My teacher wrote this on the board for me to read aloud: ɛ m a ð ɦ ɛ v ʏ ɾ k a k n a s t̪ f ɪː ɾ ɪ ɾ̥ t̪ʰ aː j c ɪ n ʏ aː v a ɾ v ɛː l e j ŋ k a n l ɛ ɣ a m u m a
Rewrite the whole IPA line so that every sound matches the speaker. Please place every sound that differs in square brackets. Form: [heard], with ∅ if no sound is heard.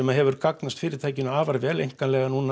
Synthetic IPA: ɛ m a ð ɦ ɛ v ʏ ɾ k a k n a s t̪ f ɪː ɾ ɪ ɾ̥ t̪ʰ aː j c ɪ n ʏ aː v a ɾ v ɛː l e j ŋ k a n l ɛ ɣ a [n] u [n] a